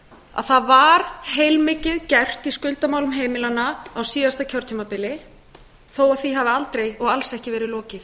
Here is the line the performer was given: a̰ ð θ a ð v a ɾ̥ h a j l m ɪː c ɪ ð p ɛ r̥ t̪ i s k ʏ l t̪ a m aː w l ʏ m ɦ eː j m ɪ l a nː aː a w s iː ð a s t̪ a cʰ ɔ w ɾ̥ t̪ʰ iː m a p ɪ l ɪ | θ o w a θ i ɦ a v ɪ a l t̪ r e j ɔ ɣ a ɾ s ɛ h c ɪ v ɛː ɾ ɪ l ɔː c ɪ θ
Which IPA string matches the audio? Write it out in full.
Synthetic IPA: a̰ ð θ a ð v a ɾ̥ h e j l m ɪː c ɪ ð c ɛ r̥ t̪ i s k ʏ l t̪ a m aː w l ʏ m ɦ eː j m ɪ l a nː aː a w s iː ð a s t̪ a cʰ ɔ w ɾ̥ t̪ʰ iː m a p ɪ l ɪ | θ o w a θ i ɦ a v ɪ a l t̪ ɾ e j ɔ ɣ a l s ɛ h c ɪ v ɛː ɾ ɪ l ɔː c ɪ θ